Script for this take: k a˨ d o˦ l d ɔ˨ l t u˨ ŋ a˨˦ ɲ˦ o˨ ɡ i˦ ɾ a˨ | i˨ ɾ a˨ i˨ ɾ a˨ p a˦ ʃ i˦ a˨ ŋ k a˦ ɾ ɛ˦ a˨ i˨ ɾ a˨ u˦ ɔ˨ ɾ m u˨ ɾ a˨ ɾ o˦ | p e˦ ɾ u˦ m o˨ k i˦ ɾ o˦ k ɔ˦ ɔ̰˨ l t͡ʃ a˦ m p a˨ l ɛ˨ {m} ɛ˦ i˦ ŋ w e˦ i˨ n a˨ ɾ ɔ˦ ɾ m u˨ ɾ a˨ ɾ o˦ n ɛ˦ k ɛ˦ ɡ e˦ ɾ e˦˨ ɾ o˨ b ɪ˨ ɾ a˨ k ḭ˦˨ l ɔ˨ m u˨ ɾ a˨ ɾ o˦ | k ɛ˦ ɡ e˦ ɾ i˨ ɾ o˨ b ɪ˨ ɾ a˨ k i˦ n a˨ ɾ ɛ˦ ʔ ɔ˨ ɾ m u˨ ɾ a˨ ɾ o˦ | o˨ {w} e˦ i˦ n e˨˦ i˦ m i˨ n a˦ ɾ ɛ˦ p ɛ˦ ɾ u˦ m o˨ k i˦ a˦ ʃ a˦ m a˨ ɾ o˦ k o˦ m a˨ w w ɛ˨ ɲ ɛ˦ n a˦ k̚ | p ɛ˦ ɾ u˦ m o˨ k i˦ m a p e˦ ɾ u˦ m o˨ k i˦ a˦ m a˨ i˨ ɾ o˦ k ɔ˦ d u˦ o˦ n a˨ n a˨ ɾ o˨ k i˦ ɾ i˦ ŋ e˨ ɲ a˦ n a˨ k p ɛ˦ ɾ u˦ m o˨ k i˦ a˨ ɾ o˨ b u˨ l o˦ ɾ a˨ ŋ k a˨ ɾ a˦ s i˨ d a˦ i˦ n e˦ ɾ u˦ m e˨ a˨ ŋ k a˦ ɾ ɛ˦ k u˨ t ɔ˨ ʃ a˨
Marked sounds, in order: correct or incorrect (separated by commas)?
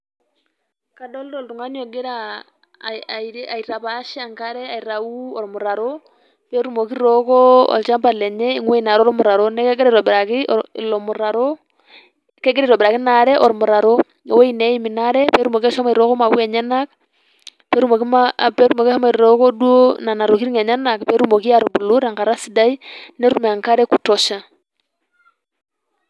incorrect, correct